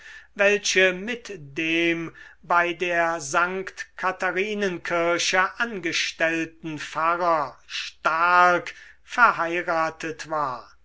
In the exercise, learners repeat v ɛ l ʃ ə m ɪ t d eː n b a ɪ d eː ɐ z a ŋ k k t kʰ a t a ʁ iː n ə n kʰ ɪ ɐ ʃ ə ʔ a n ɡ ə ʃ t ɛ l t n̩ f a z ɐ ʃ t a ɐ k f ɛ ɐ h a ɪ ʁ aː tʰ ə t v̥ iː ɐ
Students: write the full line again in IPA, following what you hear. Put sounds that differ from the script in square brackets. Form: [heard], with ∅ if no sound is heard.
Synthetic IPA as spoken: v ɛ l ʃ ə m ɪ t d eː [m] b a ɪ d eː ɐ z a ŋ k k t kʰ a t a ʁ iː n ə n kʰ ɪ ɐ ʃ ə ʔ a n ɡ ə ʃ t ɛ l t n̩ f a [ʁ] ɐ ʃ t a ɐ k f ɛ ɐ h a ɪ ʁ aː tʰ ə t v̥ [aː] ɐ

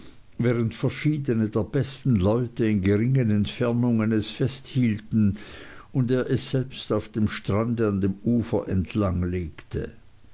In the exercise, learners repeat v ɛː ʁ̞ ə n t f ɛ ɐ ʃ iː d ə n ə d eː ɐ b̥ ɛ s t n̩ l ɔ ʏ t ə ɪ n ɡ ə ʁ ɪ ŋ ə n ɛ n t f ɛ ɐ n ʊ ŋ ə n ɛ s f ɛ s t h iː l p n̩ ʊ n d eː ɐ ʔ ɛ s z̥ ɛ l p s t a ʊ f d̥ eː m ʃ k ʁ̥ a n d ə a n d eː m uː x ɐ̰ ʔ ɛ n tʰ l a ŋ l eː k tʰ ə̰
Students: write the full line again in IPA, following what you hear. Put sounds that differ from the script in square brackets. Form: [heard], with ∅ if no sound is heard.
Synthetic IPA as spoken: v ɛː ʁ̞ ə n t f ɛ ɐ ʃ iː d ə n ə d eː ɐ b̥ ɛ s t n̩ l ɔ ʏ t ə ɪ n ɡ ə ʁ ɪ ŋ ə n ɛ n t f ɛ ɐ n ʊ ŋ ə n ɛ s f ɛ s t h iː l [t] n̩ ʊ n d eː ɐ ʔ ɛ s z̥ ɛ l p s t a ʊ f d̥ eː m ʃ [t] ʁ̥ a n d ə a n d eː m uː [f] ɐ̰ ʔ ɛ n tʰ l a ŋ l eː k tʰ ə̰

